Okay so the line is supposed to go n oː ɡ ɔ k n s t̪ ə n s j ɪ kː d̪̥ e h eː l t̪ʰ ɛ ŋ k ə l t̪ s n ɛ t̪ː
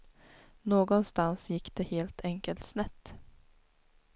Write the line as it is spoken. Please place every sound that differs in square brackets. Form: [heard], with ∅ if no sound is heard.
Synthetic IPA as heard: n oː ɡ ɔ [∅] n s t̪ [a] n s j ɪ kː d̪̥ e h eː l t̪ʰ ɛ ŋ k ə l t̪ s n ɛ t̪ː